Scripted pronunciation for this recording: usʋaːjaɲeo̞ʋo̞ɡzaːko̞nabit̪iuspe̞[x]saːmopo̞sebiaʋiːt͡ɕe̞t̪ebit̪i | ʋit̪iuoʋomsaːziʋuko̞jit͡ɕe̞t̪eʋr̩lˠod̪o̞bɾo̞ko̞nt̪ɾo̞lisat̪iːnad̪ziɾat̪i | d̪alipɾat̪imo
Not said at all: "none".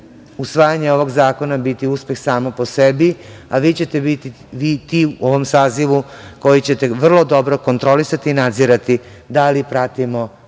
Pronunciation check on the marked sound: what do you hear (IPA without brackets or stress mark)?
x